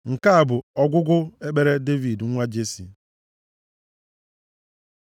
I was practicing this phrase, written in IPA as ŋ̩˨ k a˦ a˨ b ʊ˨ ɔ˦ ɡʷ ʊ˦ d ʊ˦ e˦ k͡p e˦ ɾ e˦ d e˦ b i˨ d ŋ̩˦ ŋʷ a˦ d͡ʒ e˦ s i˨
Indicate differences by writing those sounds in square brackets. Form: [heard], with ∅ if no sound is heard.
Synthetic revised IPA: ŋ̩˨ k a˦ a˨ b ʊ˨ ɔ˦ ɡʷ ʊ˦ [ɡ] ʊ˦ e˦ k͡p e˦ ɾ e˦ d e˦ [v] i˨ d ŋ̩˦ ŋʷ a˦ d͡ʒ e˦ s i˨